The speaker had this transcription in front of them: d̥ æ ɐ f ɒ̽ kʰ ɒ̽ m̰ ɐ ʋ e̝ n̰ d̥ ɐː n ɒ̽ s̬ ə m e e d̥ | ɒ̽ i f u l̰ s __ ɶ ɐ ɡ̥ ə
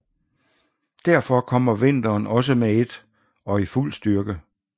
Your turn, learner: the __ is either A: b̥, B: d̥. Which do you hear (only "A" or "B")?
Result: B